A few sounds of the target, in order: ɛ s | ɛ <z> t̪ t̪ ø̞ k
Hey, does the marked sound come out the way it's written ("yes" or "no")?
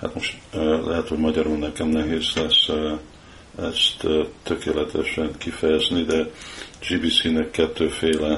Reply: no